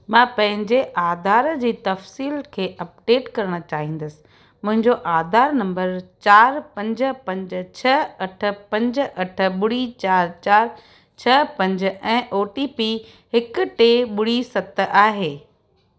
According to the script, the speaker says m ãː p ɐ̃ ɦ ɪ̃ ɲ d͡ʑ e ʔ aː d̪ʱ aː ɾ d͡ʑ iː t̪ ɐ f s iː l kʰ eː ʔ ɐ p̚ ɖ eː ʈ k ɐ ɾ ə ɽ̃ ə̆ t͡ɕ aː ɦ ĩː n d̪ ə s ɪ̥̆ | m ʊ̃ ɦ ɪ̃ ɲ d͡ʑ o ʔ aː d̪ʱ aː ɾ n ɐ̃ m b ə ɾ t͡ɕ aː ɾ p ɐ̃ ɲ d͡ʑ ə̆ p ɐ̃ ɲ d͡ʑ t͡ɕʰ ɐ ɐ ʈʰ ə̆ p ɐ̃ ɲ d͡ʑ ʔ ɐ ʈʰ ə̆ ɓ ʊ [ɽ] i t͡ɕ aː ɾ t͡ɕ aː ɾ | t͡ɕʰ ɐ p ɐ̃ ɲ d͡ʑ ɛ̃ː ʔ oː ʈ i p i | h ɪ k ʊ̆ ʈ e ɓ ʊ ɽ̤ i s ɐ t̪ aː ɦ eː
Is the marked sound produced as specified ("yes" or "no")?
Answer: yes